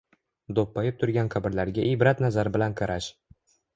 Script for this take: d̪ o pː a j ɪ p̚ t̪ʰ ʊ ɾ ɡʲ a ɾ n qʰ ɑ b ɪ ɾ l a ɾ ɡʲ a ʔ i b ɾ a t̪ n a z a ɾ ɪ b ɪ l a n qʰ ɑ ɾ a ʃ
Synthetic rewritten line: d̪ o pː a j ɪ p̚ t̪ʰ ʊ ɾ ɡʲ a n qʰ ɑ b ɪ ɾ l a ɾ ɡʲ a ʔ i b ɾ a t̪ n a z a ɾ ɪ b ɪ l a n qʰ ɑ ɾ a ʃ